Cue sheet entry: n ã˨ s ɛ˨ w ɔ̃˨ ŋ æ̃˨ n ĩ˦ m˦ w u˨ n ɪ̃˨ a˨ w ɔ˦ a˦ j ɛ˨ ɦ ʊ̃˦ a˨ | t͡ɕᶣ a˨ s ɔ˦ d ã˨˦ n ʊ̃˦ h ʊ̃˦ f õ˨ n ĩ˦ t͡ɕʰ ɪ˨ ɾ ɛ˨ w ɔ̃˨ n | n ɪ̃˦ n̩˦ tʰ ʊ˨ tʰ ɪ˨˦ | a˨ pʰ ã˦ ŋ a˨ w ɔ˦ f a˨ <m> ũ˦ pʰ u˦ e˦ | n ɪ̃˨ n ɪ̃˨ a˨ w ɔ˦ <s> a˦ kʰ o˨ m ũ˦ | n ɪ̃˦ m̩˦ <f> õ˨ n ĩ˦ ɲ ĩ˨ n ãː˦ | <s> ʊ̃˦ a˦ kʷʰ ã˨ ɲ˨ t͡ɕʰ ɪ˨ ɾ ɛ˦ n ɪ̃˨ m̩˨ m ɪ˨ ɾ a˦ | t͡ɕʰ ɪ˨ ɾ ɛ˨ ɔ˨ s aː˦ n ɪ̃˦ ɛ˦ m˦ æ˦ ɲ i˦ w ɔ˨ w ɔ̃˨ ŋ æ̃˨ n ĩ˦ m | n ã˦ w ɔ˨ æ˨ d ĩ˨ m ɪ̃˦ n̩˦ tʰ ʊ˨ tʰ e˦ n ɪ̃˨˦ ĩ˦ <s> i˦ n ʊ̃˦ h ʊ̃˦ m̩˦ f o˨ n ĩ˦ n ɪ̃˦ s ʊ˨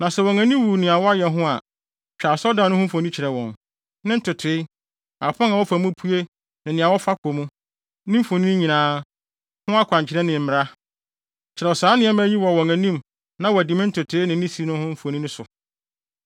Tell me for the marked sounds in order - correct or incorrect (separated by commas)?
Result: correct, incorrect, correct, incorrect, correct